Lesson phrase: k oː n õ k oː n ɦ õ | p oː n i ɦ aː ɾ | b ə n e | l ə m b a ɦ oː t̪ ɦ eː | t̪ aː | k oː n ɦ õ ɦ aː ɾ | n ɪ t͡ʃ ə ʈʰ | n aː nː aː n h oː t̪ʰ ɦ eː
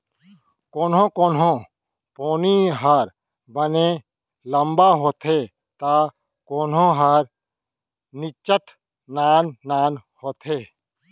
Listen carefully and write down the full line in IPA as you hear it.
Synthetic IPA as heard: k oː n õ k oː n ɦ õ | p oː n i ɦ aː ɾ | b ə n e | l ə m b a ɦ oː t̪ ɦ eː | t̪ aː | k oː n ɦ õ ɦ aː ɾ | n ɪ t͡ʃ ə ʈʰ | n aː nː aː n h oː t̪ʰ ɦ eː